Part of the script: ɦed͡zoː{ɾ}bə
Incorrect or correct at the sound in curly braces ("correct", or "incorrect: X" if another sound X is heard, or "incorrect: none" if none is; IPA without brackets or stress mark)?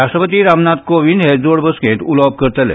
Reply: incorrect: ɽ